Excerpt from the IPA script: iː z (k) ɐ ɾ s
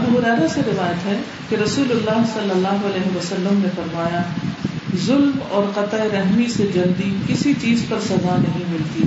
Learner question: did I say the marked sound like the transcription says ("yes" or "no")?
no